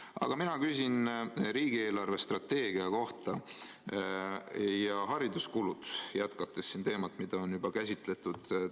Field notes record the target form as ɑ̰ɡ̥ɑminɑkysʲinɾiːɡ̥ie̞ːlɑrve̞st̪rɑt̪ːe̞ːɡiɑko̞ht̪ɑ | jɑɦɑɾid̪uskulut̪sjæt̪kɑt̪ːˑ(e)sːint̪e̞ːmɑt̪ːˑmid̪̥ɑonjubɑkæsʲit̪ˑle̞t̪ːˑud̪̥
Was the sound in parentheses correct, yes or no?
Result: yes